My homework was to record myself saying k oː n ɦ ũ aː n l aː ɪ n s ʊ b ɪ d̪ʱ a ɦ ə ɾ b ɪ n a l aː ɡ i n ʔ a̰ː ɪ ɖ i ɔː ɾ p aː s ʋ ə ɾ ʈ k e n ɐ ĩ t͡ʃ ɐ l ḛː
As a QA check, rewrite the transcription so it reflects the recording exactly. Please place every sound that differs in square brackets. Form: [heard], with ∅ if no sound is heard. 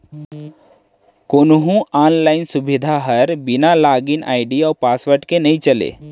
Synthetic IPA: k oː n ɦ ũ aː n l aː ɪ n s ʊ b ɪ d̪ʱ a ɦ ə ɾ b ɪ n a l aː ɡ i n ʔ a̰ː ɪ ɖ i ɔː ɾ p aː s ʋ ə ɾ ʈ k e n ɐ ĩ t͡ʃ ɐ l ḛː